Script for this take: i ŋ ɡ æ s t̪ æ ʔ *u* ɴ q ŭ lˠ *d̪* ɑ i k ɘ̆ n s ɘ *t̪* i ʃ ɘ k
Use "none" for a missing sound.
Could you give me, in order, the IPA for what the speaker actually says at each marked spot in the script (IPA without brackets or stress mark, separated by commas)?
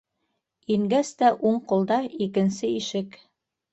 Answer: u, d̪, none